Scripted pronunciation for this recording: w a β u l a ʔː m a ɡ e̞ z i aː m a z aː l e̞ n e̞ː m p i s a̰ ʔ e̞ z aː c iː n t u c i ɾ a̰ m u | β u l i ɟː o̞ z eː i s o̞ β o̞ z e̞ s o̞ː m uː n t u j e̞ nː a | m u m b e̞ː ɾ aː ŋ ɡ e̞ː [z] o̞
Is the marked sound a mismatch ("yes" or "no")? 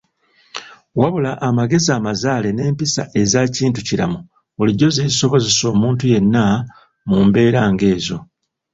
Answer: no